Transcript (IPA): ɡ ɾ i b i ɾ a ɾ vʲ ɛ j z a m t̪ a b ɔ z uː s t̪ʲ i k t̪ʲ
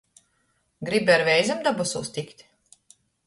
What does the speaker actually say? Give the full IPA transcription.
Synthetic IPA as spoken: ɡ ɾ i b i a ɾ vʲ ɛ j z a m d̪ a b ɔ s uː s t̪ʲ i k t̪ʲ